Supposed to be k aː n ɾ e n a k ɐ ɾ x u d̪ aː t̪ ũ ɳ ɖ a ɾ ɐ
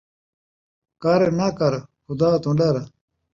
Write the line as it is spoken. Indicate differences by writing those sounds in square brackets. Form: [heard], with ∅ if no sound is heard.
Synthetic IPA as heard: k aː [∅] ɾ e n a k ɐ ɾ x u d̪ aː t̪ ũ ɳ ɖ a ɾ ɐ